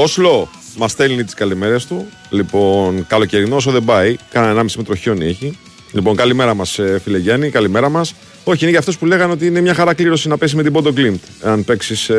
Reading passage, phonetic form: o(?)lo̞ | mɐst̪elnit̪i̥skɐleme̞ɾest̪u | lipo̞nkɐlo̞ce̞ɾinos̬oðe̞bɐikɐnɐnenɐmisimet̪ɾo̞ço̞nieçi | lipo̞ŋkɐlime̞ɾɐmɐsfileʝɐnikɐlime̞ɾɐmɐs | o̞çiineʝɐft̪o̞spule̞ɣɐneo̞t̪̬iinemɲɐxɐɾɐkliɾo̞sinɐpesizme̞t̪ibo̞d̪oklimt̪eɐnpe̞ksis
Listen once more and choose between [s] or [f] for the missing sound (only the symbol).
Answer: s